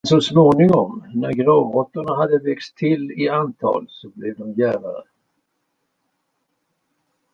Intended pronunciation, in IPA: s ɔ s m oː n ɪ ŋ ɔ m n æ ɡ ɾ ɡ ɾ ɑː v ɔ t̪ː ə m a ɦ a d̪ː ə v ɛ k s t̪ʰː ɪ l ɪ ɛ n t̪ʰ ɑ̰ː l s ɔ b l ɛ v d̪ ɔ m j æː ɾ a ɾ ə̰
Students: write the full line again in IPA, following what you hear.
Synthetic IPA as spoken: s ɔ s m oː n ɪ ŋ ɔ m n æ ɾ ɡ ɾ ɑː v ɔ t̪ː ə ɳ a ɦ a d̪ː ə v ɛ k s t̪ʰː ɪ l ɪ a n t̪ʰ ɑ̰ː l s ɔ b l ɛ v d̪ ɔ m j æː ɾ a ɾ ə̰